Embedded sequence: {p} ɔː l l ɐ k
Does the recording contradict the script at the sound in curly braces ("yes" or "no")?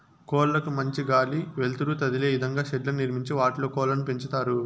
yes